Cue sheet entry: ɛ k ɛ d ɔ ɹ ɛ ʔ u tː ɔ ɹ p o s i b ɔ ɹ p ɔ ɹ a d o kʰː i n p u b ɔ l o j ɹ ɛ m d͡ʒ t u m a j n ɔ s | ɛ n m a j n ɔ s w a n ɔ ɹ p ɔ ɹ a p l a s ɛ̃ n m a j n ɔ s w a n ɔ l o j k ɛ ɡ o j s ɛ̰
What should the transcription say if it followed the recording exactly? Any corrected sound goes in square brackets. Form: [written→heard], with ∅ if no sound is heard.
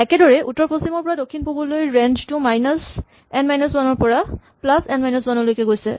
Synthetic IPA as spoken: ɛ k ɛ d ɔ ɹ ɛ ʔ u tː ɔ ɹ p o s i [b→m] ɔ ɹ p ɔ ɹ a d o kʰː i n p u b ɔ l o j ɹ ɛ [m→n] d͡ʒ t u m a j n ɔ s | ɛ n m a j n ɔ s w a n ɔ ɹ p ɔ ɹ a p l a s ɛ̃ n m a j n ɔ s w a n ɔ l o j k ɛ ɡ o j s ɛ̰